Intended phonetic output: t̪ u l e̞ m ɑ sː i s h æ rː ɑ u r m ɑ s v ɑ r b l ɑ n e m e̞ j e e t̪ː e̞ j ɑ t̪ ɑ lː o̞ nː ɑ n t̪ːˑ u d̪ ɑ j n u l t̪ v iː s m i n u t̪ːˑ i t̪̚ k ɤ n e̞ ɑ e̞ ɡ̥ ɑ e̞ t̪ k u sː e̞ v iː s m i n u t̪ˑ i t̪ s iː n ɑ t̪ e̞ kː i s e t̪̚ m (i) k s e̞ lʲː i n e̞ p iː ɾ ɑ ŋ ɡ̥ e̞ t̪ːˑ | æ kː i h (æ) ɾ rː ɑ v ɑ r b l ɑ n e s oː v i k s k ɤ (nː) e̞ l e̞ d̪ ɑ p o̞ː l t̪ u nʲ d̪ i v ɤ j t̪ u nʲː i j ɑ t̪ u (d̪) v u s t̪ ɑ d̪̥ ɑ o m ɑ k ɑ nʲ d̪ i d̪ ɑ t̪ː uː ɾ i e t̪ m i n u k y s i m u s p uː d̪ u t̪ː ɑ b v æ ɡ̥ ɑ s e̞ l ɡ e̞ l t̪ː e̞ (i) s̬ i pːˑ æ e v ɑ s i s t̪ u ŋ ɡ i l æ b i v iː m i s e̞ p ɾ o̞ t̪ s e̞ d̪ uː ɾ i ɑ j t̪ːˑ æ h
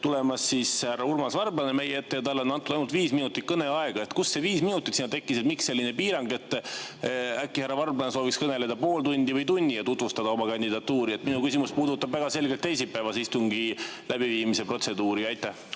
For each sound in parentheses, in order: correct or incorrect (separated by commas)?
correct, correct, incorrect, incorrect, incorrect